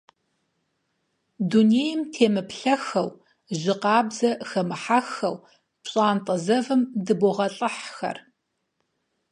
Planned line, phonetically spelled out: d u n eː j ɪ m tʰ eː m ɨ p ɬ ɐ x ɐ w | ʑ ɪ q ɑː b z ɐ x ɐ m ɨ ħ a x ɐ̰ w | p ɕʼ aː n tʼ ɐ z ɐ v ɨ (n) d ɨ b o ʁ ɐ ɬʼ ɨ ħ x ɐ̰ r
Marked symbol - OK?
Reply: no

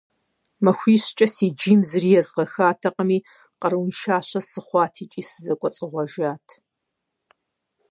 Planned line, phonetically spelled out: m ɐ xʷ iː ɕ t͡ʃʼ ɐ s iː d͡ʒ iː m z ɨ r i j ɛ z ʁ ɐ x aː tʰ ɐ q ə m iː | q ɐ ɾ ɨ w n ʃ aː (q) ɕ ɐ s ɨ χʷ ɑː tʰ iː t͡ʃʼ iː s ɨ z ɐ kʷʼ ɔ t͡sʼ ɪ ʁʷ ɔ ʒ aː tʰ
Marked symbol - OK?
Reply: no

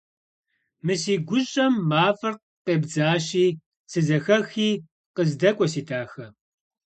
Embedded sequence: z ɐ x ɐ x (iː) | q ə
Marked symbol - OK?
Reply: yes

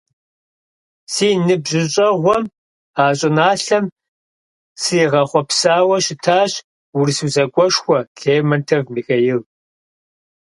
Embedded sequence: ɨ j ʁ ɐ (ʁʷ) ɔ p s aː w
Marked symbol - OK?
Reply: no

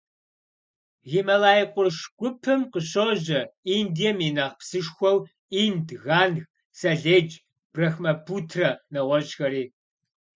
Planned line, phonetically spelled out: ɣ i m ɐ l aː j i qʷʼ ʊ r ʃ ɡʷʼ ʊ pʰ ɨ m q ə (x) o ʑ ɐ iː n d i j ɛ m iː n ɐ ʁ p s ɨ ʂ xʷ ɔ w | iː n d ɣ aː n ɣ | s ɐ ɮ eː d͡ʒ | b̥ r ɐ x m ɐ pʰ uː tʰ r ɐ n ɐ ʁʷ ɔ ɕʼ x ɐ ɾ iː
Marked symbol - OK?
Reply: no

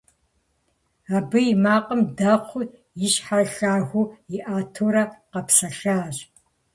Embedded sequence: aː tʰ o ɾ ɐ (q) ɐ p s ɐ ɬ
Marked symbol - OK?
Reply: yes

